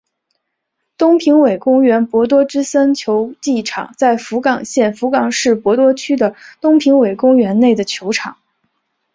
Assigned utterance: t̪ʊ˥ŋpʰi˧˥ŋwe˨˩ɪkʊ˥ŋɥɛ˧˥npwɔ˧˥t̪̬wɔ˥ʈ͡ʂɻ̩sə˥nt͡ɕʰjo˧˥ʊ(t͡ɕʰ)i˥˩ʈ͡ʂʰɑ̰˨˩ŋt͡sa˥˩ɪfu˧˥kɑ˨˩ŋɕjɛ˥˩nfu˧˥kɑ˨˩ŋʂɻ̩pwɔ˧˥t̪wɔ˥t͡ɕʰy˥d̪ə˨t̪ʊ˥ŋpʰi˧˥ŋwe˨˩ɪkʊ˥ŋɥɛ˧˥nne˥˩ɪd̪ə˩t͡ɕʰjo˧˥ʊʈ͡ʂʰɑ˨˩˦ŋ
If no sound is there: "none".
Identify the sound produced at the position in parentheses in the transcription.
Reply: t͡ɕ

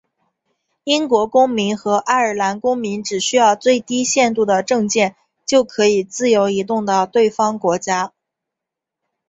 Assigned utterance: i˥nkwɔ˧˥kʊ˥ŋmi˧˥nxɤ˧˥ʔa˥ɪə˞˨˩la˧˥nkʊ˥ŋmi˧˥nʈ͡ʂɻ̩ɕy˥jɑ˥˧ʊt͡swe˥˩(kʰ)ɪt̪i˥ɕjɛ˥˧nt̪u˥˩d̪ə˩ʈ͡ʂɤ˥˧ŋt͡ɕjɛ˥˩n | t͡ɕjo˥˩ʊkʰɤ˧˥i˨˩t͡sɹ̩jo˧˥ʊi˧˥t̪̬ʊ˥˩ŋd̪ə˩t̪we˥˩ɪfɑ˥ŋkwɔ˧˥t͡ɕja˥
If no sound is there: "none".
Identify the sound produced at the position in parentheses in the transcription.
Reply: none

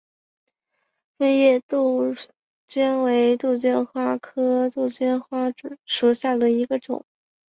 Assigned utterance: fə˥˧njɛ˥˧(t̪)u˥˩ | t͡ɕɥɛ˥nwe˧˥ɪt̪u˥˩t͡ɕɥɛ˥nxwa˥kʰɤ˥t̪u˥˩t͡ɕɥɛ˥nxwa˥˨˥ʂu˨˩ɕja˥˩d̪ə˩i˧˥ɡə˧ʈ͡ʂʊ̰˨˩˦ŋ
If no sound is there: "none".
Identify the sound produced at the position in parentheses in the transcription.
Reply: t̪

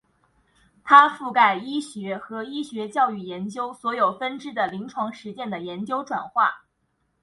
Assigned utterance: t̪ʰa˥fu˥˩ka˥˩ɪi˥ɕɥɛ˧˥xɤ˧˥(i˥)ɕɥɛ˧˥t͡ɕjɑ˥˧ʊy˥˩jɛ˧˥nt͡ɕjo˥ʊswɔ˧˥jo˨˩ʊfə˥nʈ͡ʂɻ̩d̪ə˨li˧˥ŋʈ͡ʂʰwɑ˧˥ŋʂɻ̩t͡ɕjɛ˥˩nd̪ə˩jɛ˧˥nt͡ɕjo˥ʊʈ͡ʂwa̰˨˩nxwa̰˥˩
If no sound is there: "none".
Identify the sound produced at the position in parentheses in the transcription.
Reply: i˥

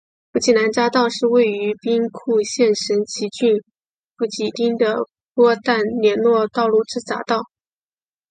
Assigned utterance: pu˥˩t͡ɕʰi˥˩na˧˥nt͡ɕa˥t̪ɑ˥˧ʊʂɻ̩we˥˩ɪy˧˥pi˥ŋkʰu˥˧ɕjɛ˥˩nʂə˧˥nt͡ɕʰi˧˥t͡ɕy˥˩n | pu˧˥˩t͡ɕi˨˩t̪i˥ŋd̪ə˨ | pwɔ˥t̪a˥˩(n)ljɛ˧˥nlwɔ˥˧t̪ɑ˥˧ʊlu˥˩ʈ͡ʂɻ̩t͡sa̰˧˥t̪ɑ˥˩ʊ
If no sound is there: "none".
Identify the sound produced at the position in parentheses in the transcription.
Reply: n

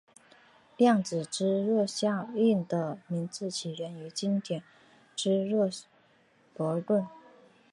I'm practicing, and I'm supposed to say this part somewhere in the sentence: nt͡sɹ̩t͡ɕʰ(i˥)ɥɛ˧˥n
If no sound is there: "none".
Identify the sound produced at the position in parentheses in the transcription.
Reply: i˨˩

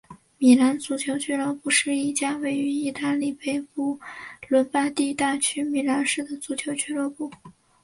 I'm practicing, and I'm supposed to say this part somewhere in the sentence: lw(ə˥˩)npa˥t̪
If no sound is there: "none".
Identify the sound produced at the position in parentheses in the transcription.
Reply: ə˧˥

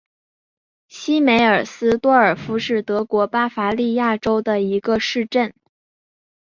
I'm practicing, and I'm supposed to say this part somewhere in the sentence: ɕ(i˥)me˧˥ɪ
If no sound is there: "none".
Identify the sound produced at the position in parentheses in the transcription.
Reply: i˥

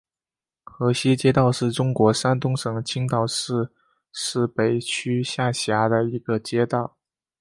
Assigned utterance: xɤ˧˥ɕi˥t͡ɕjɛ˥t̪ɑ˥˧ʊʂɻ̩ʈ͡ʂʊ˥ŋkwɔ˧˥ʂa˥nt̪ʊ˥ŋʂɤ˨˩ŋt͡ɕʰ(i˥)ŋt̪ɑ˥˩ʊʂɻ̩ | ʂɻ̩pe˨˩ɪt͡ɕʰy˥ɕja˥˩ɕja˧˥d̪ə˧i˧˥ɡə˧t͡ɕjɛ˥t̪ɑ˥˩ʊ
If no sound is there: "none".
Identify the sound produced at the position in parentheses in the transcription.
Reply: i˥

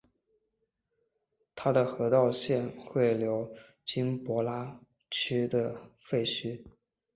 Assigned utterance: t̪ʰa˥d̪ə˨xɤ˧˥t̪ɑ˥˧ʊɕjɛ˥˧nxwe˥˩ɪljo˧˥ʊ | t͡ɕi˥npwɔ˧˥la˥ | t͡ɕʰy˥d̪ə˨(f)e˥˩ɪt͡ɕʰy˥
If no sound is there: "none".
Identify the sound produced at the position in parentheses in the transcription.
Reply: f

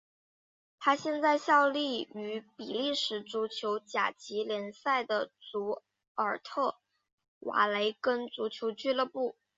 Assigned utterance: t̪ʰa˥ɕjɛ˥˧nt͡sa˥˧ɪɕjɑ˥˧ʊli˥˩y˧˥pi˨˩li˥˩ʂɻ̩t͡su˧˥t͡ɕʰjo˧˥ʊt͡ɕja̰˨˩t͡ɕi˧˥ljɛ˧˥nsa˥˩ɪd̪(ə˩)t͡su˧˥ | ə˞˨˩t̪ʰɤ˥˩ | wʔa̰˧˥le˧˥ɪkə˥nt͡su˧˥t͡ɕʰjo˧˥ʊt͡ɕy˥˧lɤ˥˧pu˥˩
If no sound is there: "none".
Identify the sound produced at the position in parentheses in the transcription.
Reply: ə˩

